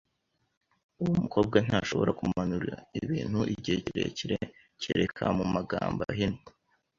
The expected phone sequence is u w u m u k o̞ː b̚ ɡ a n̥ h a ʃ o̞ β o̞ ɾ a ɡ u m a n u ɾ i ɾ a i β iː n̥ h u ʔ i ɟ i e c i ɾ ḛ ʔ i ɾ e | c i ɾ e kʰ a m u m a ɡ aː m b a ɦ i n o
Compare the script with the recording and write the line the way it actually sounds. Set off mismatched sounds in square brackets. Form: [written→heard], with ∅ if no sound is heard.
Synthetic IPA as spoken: u w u m u k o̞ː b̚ ɡ a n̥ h a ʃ o̞ β o̞ ɾ a [ɡ→k] u m a n u ɾ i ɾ a i β iː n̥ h u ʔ i ɟ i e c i ɾ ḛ [ʔ→c] i ɾ e | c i ɾ e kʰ a m u m a ɡ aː m b a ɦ i n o